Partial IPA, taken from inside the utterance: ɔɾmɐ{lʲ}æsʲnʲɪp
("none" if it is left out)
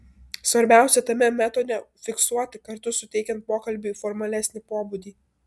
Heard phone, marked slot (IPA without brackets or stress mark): lʲ